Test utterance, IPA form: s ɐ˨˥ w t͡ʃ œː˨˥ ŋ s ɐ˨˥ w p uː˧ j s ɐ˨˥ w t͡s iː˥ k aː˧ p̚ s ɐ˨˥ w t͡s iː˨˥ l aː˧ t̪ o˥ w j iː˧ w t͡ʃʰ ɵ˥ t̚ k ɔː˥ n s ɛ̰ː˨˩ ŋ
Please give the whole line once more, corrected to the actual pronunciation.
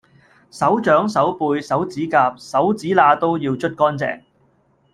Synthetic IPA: s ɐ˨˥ w t͡ʃ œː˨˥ ŋ s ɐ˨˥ w p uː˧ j s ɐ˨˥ w t͡s iː˨˥ k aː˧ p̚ s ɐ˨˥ w t͡s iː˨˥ l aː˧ t̪ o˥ w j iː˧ w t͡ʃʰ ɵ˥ t̚ k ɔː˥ n t͡s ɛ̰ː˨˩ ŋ